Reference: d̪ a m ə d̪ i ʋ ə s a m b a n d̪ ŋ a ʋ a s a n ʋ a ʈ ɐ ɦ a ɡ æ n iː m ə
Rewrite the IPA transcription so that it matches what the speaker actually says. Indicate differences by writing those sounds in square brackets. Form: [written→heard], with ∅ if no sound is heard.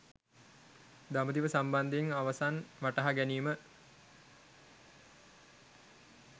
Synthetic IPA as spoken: d̪ a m ə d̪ i ʋ ə s a m b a n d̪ ŋ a ʋ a s a n ʋ a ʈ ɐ ɦ a ɡ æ n iː m ə